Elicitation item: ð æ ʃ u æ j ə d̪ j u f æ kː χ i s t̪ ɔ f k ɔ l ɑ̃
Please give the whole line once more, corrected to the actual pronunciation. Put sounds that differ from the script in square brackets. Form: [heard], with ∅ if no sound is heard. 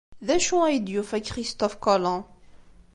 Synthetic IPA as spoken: ð æ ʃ u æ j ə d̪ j u f æ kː χ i s t̪ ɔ f k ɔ l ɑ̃